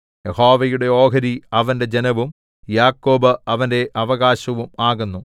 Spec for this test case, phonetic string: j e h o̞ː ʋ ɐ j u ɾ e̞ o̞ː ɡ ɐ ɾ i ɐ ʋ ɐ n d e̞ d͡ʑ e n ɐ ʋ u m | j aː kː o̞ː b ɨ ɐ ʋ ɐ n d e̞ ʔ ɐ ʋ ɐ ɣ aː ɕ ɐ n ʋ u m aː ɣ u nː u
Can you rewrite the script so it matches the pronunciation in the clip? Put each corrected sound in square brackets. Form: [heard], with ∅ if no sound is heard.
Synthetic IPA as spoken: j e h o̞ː ʋ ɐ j u [ɽ] e̞ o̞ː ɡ ɐ ɾ i ɐ ʋ ɐ n d e̞ d͡ʑ e n ɐ ʋ u m | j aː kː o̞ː b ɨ ɐ ʋ ɐ n d e̞ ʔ ɐ ʋ ɐ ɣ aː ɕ ɐ [∅] ʋ u m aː ɣ u nː u